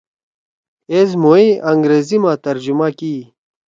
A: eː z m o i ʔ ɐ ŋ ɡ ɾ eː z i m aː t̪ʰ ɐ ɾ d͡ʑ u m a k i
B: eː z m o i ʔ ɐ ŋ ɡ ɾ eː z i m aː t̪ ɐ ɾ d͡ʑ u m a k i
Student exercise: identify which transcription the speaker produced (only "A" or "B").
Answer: B